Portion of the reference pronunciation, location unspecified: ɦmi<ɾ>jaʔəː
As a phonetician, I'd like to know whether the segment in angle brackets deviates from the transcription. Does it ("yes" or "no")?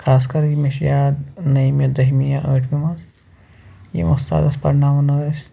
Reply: yes